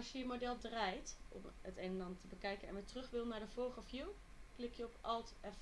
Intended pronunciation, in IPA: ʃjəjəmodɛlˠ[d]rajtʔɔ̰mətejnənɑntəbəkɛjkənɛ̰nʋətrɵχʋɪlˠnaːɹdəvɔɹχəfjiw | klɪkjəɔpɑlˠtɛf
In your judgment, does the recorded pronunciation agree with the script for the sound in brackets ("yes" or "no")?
yes